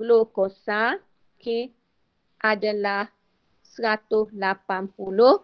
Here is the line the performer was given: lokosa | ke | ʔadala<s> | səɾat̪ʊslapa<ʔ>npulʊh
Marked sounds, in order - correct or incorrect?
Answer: incorrect: h, incorrect: none

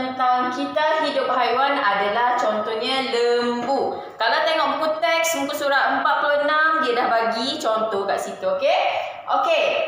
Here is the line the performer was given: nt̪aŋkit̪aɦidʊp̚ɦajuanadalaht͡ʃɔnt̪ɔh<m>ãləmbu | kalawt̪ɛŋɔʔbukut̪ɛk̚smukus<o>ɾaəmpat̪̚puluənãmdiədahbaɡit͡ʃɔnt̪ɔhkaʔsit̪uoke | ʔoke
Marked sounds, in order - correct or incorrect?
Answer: incorrect: ɲ, incorrect: u

